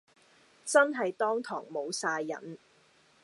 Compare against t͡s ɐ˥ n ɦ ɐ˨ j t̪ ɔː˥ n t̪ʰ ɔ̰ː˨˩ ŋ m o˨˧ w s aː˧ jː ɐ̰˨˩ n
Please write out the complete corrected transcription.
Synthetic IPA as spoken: t͡s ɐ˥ n ɦ ɐ˨ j t̪ ɔː˥ ŋ t̪ʰ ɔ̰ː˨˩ ŋ m o˨˧ w s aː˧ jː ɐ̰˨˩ n